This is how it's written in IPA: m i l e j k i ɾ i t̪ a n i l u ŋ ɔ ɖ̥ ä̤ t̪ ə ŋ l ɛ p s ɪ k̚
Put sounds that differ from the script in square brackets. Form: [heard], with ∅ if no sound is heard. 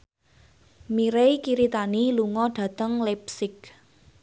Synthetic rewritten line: m i [ɾ] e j k i ɾ i t̪ a n i l u ŋ ɔ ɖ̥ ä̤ t̪ ə ŋ l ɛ p s ɪ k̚